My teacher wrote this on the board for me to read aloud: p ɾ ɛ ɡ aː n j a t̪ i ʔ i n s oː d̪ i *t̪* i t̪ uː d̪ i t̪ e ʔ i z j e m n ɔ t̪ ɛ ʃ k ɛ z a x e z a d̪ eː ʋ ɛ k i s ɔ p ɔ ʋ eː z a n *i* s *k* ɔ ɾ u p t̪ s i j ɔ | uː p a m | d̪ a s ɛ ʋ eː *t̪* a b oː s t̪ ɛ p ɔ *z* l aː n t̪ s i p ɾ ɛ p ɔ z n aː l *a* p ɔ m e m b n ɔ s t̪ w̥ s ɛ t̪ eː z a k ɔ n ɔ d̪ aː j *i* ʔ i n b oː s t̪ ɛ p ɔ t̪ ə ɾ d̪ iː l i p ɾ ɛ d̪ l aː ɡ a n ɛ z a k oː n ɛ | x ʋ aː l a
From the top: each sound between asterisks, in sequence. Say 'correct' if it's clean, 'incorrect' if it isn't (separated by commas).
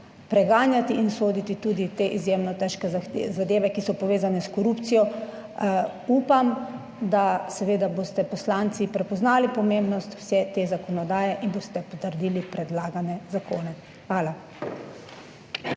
correct, incorrect, correct, incorrect, incorrect, incorrect, incorrect